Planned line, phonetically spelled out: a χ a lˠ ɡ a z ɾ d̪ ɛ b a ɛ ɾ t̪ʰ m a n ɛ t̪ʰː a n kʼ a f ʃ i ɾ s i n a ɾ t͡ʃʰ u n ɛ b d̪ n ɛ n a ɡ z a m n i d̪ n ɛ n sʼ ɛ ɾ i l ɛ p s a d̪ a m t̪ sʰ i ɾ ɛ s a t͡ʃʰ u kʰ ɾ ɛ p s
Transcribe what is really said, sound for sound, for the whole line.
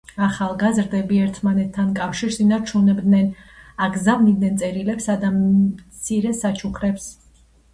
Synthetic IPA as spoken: a χ a lˠ ɡ a z ɾ d̪ ɛ b i ɛ ɾ t̪ʰ m a n ɛ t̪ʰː a n kʼ a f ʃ i ɾ s i n a ɾ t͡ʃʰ u n ɛ b d̪ n ɛ n a ɡ z a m n i d̪ n ɛ n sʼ ɛ ɾ i l ɛ p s a d̪ a m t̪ sʰ i ɾ ɛ s a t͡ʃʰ u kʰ ɾ ɛ p s